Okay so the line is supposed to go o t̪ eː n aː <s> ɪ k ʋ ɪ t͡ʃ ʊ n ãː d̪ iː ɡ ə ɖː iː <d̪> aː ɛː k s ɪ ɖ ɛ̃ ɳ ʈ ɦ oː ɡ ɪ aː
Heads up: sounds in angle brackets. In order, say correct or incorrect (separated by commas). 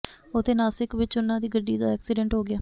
correct, correct